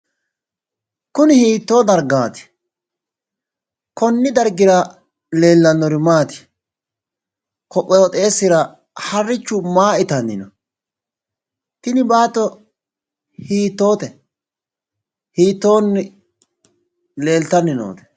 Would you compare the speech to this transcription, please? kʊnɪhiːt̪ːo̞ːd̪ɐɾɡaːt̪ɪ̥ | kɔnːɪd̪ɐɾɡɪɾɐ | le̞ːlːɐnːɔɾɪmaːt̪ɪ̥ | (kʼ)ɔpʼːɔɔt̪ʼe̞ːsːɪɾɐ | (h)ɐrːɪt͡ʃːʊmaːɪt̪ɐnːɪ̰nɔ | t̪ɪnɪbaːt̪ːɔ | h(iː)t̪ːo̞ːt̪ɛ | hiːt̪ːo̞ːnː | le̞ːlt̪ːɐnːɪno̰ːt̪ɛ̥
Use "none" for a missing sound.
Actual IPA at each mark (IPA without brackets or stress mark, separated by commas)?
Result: k, h, iː